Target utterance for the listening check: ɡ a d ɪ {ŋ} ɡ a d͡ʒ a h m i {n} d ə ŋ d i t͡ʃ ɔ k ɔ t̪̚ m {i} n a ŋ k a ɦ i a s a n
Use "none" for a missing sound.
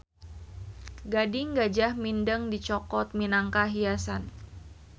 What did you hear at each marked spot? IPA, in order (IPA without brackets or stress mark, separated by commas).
ŋ, n, i